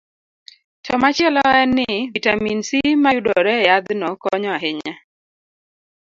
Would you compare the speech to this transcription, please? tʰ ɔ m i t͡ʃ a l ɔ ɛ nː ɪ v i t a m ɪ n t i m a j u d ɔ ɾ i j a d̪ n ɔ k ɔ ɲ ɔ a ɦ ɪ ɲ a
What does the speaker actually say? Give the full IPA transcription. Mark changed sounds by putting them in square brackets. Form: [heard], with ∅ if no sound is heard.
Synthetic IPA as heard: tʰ ɔ m [a] t͡ʃ [ɛ] l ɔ ɛ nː ɪ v i t a m [i] n [s] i m a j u d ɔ ɾ [ɛ] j a d̪ n ɔ k ɔ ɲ ɔ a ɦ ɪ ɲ a